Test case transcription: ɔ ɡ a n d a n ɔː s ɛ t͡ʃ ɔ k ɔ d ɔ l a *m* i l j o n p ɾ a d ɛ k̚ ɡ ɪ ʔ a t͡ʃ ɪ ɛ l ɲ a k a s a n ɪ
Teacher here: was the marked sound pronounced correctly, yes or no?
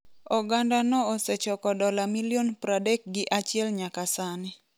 yes